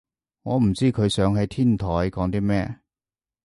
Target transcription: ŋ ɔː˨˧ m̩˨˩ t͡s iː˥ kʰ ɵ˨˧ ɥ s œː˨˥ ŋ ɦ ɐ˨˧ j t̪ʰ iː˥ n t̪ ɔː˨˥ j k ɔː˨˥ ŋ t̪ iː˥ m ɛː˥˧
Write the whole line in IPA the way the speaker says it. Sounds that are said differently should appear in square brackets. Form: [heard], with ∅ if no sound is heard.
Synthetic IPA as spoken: ŋ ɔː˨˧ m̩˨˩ t͡s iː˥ kʰ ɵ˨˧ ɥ s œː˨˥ ŋ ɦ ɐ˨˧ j t̪ʰ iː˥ n [t̪ʰ] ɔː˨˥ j k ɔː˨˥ ŋ t̪ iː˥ m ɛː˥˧